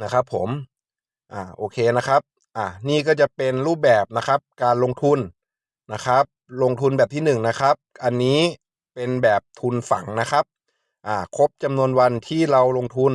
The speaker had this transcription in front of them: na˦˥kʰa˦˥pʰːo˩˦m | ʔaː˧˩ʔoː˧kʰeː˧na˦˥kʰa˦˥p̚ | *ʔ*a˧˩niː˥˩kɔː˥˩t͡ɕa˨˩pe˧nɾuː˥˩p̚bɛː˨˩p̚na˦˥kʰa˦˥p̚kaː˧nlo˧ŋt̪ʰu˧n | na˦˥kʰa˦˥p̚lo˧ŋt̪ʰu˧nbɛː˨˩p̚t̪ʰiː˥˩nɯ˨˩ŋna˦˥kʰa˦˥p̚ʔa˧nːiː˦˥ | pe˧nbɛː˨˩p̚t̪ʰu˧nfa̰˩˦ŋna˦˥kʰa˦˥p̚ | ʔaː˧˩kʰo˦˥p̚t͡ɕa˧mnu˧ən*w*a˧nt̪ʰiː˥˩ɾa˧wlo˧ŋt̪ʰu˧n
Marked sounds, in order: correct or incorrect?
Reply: correct, correct

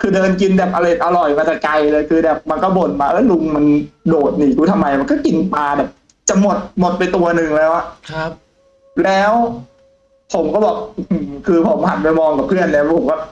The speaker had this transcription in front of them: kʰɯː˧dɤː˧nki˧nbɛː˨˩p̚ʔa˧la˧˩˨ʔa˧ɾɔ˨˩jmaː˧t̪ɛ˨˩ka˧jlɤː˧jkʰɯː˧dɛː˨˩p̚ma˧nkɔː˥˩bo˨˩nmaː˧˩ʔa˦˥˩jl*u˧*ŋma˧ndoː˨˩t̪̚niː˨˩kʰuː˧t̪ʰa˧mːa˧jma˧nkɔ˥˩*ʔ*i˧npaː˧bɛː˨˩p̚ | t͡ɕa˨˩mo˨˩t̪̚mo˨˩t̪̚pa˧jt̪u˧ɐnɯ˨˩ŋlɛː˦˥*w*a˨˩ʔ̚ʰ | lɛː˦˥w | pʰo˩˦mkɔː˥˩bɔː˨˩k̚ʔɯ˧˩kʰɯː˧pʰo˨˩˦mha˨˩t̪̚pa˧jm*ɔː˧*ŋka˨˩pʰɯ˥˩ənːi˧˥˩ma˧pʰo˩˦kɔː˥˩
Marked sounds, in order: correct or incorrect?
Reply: correct, incorrect, correct, correct

